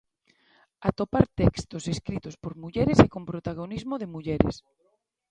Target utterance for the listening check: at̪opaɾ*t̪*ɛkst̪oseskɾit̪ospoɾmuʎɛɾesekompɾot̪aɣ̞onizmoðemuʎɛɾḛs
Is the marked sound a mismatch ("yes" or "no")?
no